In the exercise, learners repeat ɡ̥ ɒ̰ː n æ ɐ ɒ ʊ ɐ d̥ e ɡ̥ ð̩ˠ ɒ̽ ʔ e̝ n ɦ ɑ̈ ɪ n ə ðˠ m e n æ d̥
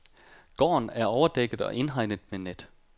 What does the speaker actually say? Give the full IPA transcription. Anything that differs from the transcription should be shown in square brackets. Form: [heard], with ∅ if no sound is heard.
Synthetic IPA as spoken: ɡ̥ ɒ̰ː n æ ɐ ɒ ʊ ɐ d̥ e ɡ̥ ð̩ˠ ɒ̽ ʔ e̝ n ɦ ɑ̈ ɪ n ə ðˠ m e n [e] d̥